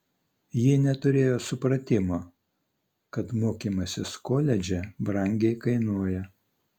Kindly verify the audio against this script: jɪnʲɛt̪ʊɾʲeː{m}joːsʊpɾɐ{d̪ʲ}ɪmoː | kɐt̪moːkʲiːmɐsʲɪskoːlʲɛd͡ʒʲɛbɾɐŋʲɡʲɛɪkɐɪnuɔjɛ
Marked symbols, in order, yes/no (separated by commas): no, no